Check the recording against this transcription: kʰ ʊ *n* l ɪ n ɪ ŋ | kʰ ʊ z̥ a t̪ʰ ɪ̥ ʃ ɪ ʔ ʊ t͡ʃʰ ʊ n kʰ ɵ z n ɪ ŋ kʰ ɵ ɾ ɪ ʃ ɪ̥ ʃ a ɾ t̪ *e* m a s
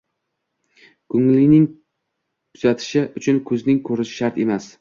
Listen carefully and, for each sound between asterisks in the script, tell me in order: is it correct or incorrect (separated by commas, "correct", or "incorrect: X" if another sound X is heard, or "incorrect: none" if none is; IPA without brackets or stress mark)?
incorrect: ŋ, correct